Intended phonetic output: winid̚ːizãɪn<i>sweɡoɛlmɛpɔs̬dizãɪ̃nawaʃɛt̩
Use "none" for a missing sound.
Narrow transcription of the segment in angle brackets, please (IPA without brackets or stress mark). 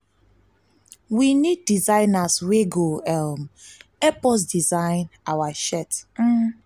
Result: a